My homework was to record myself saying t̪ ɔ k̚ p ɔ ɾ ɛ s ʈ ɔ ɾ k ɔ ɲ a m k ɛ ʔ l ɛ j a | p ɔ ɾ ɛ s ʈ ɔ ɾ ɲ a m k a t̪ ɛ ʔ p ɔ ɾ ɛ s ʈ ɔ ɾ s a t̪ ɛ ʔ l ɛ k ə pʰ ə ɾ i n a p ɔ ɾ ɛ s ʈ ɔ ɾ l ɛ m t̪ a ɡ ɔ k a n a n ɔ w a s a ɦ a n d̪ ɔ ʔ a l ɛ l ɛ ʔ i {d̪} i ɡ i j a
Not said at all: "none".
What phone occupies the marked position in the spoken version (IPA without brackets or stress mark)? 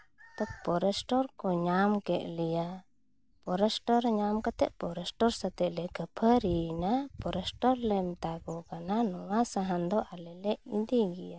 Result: d̪